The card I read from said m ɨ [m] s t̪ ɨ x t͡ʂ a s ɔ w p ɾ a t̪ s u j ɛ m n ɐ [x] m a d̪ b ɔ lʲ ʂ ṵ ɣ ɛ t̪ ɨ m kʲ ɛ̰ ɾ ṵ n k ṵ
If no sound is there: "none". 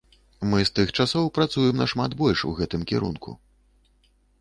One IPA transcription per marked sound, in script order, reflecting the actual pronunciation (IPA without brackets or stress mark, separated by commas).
none, ʂ